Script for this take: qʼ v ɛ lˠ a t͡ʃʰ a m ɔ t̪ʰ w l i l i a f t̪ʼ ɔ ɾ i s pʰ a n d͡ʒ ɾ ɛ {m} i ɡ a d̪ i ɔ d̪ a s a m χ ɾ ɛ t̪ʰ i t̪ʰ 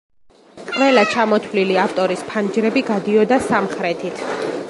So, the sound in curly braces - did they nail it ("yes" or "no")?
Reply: no